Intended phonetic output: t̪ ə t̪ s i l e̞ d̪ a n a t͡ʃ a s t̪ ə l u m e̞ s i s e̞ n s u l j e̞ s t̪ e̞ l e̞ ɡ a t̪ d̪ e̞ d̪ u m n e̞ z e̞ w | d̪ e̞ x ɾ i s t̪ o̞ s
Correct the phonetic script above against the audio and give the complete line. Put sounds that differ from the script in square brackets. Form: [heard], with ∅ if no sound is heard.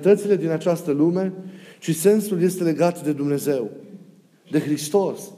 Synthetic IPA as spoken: t̪ ə t̪ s i l e̞ d̪ [i] n a t͡ʃ a s t̪ ə l u m e̞ [ʃ] i s e̞ n s u l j e̞ s t̪ e̞ l e̞ ɡ a t̪ d̪ e̞ d̪ u m n e̞ z e̞ w | d̪ e̞ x ɾ i s t̪ o̞ s